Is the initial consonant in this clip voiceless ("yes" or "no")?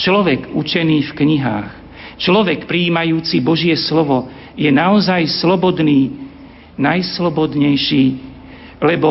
yes